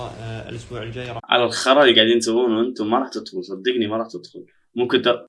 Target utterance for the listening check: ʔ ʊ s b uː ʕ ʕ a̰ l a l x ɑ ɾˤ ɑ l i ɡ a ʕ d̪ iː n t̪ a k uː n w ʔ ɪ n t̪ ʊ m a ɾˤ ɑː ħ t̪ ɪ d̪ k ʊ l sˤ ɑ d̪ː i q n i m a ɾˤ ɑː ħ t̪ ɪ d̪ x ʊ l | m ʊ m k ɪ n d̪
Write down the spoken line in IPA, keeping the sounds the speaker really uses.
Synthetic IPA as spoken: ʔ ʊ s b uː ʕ ʕ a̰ l a l x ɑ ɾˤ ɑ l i ɡ a ʕ d̪ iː n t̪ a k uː n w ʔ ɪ n t̪ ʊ m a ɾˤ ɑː ħ t̪ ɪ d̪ x ʊ l sˤ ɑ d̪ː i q n i m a ɾˤ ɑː ħ t̪ ɪ d̪ x ʊ l | m ʊ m k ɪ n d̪